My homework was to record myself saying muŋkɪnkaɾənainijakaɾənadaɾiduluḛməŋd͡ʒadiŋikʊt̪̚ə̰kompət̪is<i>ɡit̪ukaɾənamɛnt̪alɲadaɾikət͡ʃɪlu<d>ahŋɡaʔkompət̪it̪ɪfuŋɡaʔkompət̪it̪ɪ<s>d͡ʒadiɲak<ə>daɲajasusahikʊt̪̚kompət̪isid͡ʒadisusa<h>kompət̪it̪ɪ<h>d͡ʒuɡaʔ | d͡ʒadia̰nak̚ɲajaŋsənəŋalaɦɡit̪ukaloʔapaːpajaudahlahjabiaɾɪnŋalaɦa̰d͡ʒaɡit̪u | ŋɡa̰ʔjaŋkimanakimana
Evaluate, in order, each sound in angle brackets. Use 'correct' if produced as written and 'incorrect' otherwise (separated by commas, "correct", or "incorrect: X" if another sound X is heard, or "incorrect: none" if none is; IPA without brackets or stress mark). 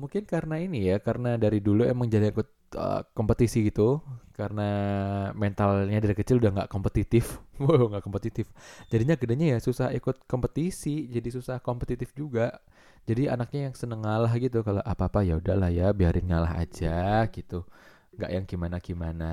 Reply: correct, correct, incorrect: f, correct, correct, incorrect: f